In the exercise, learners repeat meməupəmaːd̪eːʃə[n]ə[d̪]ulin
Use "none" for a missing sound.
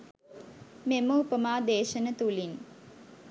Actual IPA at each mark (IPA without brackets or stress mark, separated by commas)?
n, t̪